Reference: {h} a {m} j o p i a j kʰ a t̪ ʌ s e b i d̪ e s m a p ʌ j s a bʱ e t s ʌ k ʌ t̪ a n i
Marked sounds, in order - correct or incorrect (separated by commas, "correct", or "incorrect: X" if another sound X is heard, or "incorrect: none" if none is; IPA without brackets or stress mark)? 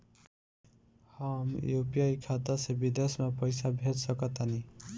correct, correct